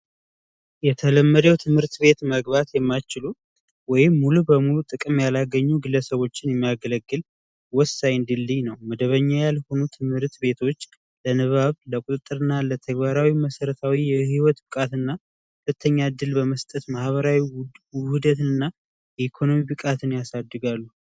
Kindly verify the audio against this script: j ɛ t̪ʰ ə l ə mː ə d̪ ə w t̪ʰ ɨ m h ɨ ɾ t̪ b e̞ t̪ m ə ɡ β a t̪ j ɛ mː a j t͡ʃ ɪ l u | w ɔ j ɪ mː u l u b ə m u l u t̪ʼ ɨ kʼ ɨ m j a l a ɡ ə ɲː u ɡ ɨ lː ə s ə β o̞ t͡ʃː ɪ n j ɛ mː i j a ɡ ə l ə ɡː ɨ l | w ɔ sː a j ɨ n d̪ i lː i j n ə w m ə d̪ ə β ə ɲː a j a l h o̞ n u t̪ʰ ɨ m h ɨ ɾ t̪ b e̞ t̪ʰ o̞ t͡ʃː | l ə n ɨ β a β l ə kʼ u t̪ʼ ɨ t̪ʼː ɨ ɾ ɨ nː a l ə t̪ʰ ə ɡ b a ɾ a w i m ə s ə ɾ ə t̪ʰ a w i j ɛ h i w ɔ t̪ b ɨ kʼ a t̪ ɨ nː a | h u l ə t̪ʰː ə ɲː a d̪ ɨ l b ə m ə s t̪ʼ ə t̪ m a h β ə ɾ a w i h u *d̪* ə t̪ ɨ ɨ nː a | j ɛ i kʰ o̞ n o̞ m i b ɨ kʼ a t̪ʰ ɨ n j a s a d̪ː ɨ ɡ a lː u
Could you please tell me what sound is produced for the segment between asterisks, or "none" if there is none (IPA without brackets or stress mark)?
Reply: d̪